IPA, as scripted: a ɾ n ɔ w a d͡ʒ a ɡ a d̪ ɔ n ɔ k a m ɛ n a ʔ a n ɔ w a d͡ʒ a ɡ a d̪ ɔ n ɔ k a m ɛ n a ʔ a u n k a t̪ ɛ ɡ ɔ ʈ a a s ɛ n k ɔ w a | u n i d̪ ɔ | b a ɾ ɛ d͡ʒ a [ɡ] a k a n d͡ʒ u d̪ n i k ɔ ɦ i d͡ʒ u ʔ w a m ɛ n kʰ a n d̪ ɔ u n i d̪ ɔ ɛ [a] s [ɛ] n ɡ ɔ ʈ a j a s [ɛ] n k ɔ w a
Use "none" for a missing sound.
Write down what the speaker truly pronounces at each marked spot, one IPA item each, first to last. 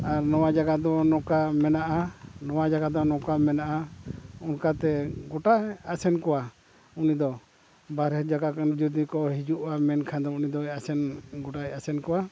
ɡ, a, ɛ, ɛ

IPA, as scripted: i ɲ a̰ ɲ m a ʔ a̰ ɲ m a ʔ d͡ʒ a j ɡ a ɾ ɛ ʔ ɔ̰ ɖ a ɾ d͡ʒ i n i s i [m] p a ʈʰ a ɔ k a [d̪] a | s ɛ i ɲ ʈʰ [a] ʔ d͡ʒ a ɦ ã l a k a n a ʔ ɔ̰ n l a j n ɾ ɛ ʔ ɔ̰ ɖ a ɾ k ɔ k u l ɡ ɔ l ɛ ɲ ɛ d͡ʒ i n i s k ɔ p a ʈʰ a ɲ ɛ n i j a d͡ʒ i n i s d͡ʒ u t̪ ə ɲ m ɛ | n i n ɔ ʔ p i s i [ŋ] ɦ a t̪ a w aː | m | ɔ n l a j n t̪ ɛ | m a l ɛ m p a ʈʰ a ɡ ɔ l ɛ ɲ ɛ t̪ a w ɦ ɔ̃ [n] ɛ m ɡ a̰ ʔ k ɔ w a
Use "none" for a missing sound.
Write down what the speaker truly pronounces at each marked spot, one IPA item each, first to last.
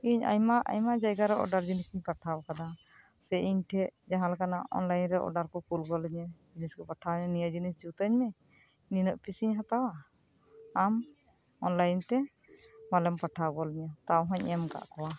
ɲ, d̪, ɛ, ɲ, ɲ

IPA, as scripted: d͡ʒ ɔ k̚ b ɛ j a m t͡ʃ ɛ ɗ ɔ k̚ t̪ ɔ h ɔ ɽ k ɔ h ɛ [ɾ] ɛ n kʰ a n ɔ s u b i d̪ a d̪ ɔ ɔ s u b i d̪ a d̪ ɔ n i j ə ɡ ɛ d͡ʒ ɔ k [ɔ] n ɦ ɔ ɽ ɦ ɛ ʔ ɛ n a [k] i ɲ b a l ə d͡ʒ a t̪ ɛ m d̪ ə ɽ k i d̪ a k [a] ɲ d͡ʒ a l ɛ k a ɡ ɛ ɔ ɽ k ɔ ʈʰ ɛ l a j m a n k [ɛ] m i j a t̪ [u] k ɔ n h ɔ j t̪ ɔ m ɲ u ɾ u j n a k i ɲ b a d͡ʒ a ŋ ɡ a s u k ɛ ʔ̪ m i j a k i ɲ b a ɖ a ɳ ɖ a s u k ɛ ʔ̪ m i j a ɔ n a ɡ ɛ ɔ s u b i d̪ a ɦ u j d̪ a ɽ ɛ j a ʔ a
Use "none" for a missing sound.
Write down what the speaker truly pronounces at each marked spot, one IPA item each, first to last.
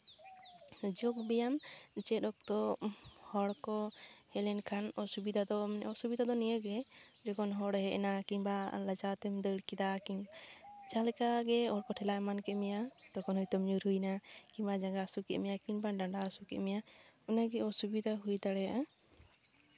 l, ɔ, k, i, ɛ, ɔ

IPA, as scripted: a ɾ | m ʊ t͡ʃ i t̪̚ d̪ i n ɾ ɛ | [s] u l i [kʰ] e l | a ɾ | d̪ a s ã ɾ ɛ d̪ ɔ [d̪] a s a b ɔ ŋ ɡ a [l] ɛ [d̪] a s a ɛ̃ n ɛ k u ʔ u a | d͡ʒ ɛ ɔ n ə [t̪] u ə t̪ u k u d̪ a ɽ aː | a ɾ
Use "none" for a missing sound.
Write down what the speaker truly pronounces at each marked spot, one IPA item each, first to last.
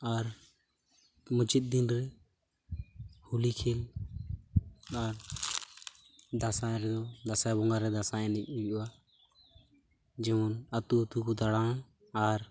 h, kʰ, d̪, ɾ, d̪, t̪

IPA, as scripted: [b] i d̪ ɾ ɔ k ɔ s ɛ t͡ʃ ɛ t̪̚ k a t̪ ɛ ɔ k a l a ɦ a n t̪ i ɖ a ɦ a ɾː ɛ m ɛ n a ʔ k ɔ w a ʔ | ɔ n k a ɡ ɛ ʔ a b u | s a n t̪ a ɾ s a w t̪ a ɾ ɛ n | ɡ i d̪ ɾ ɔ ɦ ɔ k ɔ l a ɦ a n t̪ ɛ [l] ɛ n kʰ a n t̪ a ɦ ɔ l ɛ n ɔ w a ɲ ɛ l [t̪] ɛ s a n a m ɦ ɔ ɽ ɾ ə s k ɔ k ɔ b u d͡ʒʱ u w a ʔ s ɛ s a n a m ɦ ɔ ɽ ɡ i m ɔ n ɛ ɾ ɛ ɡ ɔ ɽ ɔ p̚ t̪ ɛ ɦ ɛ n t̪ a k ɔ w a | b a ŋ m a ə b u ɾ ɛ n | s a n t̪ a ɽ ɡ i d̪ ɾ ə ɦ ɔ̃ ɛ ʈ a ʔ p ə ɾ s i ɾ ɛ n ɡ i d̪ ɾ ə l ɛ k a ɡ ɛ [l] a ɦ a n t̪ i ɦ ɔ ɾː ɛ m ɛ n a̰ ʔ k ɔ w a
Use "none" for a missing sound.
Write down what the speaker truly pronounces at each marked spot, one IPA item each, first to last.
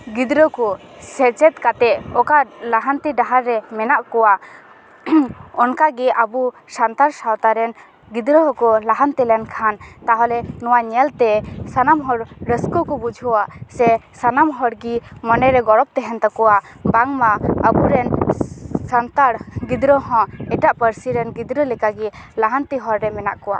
ɡ, l, t̪, l

